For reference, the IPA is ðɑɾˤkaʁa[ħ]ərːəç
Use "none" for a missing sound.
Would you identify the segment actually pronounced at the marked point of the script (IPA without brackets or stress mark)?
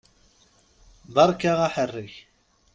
ħ